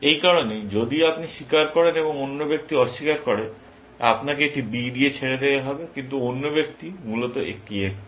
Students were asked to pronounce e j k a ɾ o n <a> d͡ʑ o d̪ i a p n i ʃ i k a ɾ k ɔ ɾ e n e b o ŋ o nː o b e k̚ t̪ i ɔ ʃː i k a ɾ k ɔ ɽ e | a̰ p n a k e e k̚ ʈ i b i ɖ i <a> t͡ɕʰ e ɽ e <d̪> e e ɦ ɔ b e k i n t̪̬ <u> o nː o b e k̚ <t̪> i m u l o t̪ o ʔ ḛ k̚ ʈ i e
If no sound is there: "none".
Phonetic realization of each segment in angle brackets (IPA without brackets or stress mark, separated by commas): e, e, d̪, u, t̪